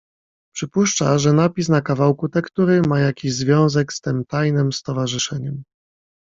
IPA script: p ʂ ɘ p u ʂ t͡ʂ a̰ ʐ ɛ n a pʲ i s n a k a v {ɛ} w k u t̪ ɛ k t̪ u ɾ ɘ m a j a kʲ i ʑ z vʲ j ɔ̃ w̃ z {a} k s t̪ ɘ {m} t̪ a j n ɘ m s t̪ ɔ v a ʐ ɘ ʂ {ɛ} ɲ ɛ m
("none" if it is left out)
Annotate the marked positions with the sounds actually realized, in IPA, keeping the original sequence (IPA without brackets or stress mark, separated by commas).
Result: a, ɛ, m, ɛ